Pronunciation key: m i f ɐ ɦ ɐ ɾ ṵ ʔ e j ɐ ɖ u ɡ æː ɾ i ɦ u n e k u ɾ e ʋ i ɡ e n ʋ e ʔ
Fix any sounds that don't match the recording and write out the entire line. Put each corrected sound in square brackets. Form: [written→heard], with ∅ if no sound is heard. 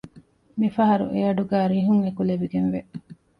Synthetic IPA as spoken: m i f ɐ ɦ ɐ ɾ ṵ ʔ e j ɐ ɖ u ɡ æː ɾ i ɦ u [n→ŋ] e k u [ɾ→l] e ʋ i ɡ e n ʋ e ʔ